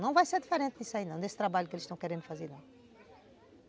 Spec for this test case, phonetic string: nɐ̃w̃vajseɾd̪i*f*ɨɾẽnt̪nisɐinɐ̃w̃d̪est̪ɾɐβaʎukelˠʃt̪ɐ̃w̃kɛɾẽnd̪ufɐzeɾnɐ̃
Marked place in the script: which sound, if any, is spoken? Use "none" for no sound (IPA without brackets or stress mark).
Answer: f